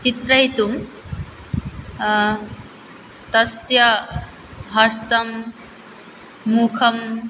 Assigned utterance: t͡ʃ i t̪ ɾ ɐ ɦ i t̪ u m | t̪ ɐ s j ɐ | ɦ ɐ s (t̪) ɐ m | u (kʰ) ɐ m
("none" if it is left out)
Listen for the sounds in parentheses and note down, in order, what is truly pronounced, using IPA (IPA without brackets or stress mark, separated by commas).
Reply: t̪, kʰ